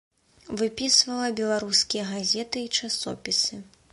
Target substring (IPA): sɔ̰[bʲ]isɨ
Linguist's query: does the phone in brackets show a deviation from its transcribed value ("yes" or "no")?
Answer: yes